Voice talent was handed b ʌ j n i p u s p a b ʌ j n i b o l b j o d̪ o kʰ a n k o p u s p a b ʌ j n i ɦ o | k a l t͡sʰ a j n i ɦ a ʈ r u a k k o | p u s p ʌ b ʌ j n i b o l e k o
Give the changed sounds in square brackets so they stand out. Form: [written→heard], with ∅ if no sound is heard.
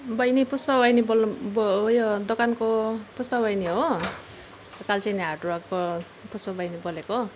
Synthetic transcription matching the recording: b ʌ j n i p u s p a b ʌ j n i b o l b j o d̪ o [kʰ→k] a n k o p u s p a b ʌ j n i ɦ o | k a l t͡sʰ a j n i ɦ a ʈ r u a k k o | p u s p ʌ b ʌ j n i b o l e k o